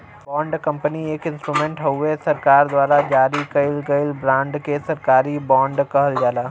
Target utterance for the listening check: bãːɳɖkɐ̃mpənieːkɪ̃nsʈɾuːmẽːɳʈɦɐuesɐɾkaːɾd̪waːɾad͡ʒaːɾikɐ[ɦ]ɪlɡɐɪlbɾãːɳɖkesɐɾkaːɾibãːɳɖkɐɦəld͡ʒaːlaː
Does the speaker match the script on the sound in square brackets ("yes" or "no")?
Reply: no